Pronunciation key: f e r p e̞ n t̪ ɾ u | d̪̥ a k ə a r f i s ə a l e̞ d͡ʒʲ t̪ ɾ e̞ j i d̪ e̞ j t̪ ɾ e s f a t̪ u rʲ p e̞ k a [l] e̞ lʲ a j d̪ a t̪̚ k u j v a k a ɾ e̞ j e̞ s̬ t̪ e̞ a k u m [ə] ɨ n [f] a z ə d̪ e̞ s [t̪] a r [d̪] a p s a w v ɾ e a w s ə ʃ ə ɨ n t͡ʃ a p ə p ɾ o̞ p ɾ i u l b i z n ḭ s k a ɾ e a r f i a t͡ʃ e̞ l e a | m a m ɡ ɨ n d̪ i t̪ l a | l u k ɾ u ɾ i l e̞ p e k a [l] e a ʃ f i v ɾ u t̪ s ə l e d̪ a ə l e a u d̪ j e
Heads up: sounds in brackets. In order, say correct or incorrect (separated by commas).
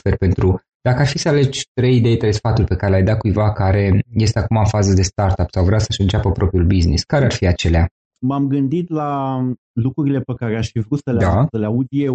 incorrect, incorrect, correct, correct, incorrect, incorrect